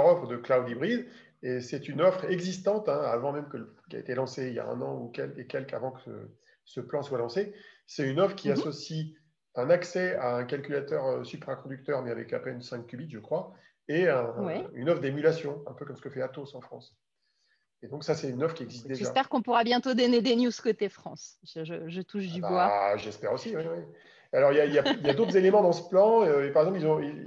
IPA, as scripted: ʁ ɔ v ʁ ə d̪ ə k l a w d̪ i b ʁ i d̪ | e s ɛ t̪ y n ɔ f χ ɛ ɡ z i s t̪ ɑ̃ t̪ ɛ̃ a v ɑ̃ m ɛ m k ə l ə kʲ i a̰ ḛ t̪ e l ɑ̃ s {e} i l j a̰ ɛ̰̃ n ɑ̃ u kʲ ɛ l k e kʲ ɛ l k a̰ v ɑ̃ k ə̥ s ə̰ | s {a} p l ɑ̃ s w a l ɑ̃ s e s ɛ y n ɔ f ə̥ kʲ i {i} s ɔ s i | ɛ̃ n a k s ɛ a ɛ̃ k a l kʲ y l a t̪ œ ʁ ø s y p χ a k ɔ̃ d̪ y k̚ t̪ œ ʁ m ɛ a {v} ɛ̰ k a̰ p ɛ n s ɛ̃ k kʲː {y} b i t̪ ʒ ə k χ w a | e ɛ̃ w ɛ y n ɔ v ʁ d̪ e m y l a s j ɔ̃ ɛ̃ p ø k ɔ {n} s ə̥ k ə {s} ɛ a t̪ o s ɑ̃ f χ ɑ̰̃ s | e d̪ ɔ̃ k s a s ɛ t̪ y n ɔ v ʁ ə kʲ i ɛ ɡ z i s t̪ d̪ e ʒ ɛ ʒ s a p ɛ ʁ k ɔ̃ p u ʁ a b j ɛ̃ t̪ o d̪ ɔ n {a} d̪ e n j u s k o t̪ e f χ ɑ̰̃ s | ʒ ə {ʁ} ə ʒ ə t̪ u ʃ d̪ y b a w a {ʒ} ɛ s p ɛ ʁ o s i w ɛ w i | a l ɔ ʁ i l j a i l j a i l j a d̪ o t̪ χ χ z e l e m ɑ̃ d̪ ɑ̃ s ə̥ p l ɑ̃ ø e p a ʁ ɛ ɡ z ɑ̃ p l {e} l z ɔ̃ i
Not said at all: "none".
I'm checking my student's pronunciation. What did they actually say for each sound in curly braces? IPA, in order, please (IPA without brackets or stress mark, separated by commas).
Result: e, ə, a, v, y, m, f, e, ʒ, ʒ, i